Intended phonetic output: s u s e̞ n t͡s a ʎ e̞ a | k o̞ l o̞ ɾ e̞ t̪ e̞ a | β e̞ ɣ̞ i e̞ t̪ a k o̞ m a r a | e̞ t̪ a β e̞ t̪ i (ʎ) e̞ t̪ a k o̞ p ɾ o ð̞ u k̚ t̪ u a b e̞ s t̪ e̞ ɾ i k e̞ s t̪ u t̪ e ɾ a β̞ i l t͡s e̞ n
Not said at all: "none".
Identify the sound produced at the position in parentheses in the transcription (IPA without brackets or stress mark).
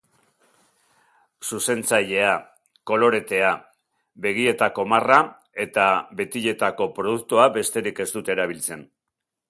ʎ